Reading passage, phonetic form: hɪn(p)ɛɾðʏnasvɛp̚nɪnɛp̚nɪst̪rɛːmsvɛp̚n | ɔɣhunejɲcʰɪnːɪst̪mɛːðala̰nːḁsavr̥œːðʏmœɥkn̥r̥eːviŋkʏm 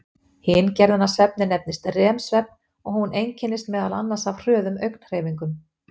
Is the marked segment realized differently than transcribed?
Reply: yes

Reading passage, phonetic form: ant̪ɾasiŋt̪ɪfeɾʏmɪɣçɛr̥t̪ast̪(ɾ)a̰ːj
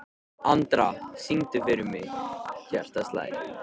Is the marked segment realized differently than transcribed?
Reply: yes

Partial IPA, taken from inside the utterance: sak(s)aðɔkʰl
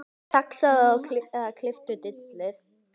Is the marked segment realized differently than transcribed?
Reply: no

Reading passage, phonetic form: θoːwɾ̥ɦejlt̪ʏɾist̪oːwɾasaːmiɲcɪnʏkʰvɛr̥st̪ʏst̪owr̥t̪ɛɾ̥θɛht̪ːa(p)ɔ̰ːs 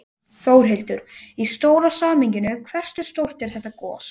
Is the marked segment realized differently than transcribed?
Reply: yes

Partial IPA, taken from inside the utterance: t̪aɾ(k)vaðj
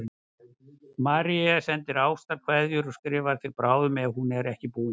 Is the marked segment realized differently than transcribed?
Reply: yes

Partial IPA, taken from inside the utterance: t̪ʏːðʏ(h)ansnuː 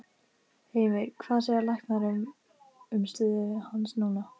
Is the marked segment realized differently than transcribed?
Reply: no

